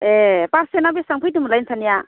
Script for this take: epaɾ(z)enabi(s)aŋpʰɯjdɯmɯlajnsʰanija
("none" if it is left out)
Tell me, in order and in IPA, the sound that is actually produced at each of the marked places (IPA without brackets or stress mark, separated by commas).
s, s